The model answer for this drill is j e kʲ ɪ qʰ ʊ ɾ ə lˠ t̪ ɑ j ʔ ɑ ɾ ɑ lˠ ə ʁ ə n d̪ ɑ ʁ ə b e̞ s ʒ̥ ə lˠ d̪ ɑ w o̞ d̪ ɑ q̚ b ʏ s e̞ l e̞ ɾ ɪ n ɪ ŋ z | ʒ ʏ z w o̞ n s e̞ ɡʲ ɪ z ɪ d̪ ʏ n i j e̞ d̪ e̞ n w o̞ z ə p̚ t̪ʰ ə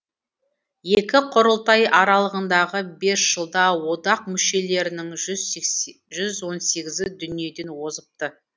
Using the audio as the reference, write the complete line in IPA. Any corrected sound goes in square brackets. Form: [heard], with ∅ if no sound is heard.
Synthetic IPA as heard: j e kʲ ɪ qʰ ʊ ɾ ə lˠ t̪ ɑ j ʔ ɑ ɾ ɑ lˠ ə ʁ ə n d̪ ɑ ʁ ə b e̞ s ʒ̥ ə lˠ d̪ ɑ w o̞ d̪ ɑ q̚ [m] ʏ [ʃ] e̞ l e̞ ɾ ɪ n ɪ ŋ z | ʒ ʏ z w o̞ n s e̞ ɡʲ ɪ z ɪ d̪ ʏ n i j e̞ d̪ e̞ n w o̞ z ə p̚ [t̪] ə